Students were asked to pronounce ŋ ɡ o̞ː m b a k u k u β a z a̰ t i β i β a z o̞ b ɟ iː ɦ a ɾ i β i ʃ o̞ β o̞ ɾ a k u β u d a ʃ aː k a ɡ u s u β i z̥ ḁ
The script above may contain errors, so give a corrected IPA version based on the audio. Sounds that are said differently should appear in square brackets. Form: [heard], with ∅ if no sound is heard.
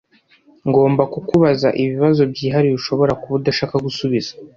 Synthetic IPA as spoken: ŋ ɡ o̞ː m b a k u k u β a z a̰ [ʔ] i β i β a z o̞ b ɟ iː ɦ a ɾ i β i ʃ o̞ β o̞ ɾ a k u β u d a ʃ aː k a ɡ u s u β i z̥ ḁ